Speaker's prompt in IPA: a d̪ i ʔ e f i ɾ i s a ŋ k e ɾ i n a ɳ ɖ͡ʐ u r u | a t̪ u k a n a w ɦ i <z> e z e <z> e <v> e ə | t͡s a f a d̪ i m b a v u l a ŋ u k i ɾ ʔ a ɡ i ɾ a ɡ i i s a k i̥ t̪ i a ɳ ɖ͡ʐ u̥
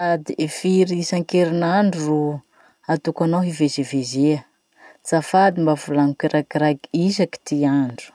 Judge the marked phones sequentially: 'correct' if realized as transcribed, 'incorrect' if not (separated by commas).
incorrect, incorrect, incorrect